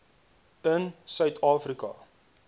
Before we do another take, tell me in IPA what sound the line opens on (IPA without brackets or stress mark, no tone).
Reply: ə